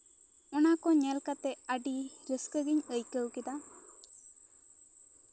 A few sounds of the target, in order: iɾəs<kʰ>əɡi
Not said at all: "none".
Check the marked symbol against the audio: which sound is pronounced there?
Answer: k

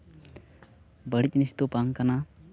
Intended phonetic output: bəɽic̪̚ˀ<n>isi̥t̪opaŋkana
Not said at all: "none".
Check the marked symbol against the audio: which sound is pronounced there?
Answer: n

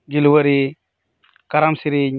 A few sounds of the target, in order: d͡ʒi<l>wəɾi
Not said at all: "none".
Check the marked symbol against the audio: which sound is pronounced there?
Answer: l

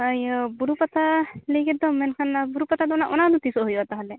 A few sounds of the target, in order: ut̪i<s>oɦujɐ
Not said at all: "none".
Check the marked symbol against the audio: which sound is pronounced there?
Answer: s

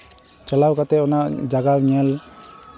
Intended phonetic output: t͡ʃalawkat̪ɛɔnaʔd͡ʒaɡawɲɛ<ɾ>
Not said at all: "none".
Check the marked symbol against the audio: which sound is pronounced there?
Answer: l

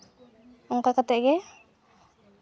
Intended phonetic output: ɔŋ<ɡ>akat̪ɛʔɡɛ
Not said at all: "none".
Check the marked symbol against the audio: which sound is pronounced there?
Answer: k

